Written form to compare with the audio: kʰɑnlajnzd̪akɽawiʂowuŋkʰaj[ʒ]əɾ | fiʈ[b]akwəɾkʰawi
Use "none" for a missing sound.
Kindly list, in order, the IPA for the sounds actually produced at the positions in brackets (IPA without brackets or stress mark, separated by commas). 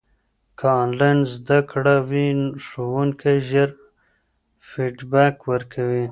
ʒ, b